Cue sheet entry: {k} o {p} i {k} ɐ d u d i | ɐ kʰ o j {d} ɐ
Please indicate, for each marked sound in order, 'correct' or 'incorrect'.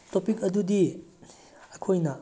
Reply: incorrect: t, correct, correct, incorrect: n

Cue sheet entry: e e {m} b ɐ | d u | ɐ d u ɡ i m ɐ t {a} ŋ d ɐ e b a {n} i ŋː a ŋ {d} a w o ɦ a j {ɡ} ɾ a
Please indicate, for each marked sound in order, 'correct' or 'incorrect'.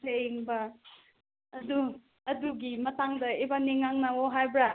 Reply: incorrect: ŋ, correct, correct, incorrect: n, incorrect: b

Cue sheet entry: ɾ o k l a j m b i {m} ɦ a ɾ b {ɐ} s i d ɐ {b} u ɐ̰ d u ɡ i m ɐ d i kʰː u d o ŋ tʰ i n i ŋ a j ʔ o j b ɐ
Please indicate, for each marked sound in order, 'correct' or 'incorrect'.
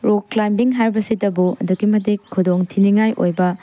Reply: incorrect: ŋ, correct, correct

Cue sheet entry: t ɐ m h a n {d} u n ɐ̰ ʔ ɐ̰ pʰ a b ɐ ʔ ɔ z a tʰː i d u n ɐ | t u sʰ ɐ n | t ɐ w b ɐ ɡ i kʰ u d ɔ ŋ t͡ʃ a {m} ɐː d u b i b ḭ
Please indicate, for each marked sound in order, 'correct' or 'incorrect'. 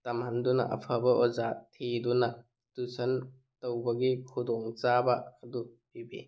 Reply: correct, incorrect: b

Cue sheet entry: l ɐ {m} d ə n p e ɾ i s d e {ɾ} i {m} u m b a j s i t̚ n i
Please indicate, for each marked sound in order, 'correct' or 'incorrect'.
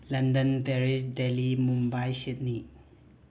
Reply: incorrect: n, incorrect: l, correct

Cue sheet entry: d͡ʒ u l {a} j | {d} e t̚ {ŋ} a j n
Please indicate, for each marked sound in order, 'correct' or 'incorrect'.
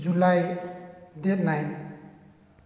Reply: correct, correct, incorrect: n

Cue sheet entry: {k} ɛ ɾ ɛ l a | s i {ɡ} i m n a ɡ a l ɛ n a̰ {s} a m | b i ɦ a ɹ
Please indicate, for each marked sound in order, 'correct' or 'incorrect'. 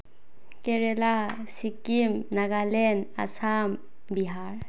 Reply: correct, incorrect: k, correct

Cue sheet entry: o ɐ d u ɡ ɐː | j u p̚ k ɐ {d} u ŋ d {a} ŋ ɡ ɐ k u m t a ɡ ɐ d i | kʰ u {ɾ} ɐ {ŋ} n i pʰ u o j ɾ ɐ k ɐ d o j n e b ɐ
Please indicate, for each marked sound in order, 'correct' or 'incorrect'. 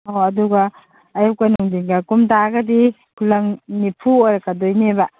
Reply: incorrect: n, incorrect: i, incorrect: l, correct

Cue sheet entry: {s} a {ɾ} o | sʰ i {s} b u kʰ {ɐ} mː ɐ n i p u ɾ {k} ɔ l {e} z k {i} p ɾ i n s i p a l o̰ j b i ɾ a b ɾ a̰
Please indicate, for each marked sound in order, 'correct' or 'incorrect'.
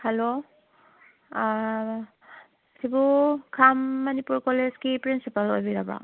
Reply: incorrect: h, incorrect: l, incorrect: none, incorrect: a, correct, correct, correct

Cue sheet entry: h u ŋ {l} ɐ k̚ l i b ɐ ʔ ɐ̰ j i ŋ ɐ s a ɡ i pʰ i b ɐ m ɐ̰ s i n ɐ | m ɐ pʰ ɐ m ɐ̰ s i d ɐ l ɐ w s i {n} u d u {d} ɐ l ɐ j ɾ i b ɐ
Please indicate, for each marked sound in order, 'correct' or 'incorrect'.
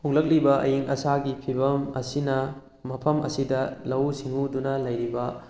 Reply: correct, incorrect: ŋ, incorrect: n

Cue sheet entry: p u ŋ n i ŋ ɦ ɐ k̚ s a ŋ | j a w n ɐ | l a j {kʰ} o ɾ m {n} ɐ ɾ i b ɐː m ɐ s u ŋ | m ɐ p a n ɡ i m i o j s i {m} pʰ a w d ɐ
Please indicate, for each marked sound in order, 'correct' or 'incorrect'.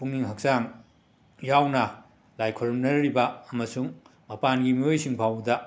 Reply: correct, correct, incorrect: ŋ

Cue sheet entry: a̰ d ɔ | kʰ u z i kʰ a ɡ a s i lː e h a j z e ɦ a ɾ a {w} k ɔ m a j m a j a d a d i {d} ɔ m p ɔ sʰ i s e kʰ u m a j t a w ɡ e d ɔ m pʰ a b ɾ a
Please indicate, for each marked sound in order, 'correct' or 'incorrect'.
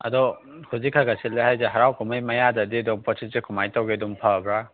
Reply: correct, correct

